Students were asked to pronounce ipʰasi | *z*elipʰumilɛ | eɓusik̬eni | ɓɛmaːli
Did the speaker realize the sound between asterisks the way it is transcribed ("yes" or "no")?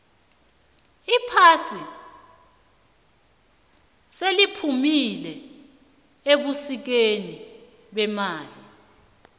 no